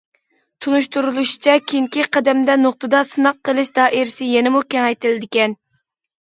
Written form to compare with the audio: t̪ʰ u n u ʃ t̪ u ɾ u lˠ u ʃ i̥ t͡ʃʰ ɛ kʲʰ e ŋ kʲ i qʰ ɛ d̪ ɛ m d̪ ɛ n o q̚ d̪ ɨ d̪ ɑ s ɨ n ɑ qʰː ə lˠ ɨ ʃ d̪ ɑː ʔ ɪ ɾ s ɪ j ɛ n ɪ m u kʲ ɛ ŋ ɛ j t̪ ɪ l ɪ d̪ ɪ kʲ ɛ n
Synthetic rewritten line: t̪ʰ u n u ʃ t̪ u ɾ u lˠ u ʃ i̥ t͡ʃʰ ɛ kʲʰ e ŋ kʲ i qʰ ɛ d̪ ɛ m d̪ ɛ n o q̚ t̪ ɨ d̪ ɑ s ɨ n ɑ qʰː ə lˠ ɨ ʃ d̪ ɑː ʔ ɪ ɾ s ɪ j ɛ n ɪ m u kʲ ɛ ŋ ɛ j t̪ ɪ l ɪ d̪ ɪ kʲ ɛ n